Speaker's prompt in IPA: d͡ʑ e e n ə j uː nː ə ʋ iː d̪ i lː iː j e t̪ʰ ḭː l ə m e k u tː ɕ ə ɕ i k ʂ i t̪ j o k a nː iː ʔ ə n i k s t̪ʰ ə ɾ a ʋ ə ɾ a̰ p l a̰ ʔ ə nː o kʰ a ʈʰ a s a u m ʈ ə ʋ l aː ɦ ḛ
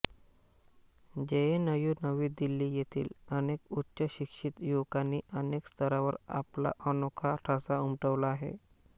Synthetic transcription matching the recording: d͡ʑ e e n ə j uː n ə ʋ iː d̪ i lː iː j e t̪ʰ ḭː l ə n e k u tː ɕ ə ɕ i k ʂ i t̪ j o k a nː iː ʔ ə n e k s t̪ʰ ə ɾ a ʋ ə ɾ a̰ p l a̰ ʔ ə n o kʰ a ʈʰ a s a u m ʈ ə ʋ l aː ɦ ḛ